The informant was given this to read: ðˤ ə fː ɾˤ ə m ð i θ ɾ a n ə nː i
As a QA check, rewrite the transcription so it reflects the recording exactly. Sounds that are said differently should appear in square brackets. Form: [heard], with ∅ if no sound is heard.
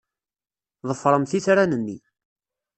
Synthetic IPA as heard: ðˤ ə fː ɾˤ ə m [θ] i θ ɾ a n ə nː i